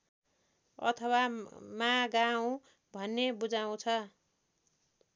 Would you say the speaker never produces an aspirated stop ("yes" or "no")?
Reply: no